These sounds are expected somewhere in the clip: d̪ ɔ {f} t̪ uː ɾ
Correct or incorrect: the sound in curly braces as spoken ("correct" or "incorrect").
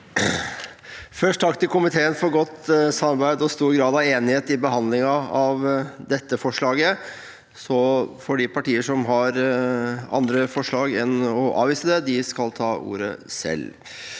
incorrect